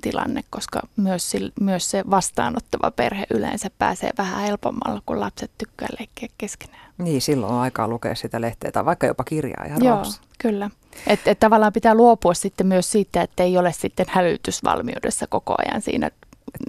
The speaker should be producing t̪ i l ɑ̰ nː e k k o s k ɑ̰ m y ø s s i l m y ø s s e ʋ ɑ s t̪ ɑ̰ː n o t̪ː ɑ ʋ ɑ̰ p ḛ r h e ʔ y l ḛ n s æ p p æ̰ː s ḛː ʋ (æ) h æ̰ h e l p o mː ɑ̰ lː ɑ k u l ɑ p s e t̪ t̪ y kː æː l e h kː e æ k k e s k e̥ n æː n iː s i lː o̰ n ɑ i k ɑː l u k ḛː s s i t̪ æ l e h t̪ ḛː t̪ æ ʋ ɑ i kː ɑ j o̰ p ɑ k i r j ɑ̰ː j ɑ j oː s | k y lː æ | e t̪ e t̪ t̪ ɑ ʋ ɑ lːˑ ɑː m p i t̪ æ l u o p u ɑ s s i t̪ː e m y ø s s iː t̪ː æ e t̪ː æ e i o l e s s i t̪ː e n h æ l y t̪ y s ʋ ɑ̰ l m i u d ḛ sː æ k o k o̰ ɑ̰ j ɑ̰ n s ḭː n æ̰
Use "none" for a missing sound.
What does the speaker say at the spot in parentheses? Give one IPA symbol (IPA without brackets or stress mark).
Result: æ